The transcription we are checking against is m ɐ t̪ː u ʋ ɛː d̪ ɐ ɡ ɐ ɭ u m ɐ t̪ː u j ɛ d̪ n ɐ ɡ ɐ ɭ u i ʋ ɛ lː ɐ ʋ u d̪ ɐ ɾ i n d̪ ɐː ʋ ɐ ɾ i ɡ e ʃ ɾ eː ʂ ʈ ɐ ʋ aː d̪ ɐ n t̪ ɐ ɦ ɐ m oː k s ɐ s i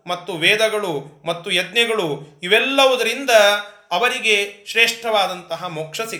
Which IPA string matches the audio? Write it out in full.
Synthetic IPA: m ɐ t̪ː u ʋ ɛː d̪ ɐ ɡ ɐ ɭ u m ɐ t̪ː u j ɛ d̪ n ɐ ɡ ɐ ɭ u i ʋ ɛ lː ɐ ʋ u d̪ ɐ ɾ i n d̪ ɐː ʋ ɐ ɾ i ɡ e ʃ ɾ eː ʂ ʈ ɐ ʋ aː d̪ ɐ n t̪ ɐ ɦ ɐ m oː k ʂ ɐ s i